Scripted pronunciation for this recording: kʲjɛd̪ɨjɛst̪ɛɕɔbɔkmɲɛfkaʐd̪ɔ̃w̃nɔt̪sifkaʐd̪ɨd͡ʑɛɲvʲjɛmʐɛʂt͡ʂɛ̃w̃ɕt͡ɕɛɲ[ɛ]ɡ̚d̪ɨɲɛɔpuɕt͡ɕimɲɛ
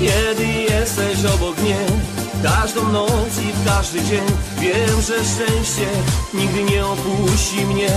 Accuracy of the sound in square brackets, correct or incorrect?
incorrect